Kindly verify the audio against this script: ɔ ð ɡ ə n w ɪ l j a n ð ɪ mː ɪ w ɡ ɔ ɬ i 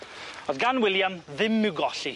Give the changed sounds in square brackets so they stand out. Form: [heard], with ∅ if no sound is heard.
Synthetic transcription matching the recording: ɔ ð ɡ [a] n w ɪ l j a [m] ð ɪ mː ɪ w ɡ ɔ ɬ i